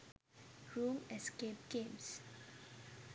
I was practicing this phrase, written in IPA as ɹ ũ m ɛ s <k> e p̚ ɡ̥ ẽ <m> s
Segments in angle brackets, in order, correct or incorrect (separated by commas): correct, correct